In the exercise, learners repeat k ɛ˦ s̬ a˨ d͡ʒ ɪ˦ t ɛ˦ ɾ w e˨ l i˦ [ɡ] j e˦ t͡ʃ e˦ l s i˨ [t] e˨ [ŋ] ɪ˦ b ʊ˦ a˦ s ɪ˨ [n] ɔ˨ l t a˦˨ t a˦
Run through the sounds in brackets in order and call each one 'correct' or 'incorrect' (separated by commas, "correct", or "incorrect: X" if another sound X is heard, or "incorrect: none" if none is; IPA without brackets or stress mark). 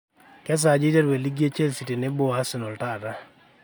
correct, correct, incorrect: n, correct